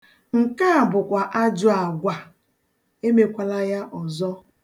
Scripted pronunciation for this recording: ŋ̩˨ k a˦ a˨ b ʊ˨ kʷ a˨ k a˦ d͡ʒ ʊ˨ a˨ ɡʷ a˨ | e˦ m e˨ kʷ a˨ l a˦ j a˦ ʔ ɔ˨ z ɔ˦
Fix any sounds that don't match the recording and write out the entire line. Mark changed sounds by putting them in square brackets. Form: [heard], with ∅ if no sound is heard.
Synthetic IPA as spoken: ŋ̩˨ k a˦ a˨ b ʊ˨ kʷ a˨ [ʔ] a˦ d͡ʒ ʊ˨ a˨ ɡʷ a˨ | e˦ m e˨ kʷ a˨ l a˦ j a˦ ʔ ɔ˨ z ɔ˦